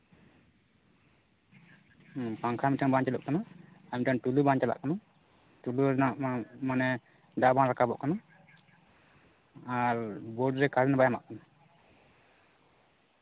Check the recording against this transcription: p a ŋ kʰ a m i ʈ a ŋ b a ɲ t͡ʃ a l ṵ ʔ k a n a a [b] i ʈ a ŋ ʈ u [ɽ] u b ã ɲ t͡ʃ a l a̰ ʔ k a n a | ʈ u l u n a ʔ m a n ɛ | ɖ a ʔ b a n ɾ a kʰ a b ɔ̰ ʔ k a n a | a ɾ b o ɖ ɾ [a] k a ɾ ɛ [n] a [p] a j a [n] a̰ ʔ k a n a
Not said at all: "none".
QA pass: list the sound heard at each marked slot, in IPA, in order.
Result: m, l, ɛ, n, b, m

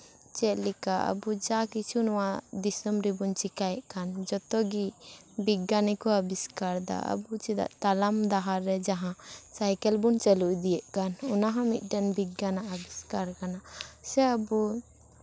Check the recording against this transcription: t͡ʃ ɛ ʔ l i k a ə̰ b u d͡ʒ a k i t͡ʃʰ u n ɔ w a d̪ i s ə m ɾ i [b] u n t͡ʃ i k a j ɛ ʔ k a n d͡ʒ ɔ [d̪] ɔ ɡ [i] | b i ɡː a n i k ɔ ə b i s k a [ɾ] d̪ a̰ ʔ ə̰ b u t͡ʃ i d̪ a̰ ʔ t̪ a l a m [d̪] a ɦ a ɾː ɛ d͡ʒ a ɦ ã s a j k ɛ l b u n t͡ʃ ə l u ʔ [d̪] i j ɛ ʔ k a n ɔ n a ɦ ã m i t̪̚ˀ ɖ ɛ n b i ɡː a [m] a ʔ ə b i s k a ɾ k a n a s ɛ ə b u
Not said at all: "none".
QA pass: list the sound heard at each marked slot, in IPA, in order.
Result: b, t̪, i, ɾ, d̪, d̪, n

